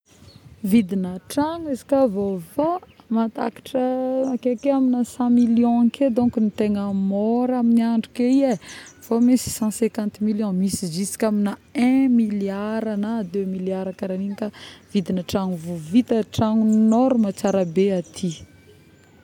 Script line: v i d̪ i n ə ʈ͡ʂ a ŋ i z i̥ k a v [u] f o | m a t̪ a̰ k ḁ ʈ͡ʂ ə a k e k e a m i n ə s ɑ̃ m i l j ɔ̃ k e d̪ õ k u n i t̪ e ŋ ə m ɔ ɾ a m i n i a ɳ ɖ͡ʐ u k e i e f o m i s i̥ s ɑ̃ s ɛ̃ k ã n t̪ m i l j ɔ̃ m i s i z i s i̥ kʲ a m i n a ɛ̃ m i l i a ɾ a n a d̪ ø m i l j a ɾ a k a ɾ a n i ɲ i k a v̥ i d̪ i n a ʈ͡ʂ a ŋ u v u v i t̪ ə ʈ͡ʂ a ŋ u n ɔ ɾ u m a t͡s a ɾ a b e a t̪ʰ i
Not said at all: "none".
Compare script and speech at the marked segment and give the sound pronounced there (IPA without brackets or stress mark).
o